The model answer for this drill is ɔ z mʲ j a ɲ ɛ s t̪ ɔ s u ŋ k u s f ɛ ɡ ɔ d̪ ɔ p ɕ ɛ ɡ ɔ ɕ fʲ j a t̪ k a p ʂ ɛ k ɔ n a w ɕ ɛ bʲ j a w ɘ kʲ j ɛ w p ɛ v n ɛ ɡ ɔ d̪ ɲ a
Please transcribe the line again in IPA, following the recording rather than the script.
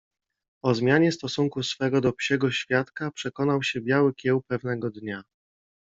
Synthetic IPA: ɔ z mʲ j a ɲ ɛ s t̪ ɔ s u ŋ k u s f ɛ ɡ ɔ d̪ ɔ p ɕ ɛ ɡ ɔ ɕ fʲ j a t̪ k a p ʂ ɛ k ɔ n a w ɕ ɛ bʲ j a w ɘ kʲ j ɛ w p ɛ v n ɛ ɡ ɔ d̪ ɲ a